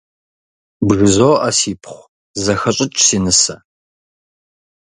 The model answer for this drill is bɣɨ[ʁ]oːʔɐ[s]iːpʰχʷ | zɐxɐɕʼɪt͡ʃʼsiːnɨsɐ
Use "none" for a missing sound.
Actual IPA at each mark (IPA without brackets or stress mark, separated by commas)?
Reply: z, s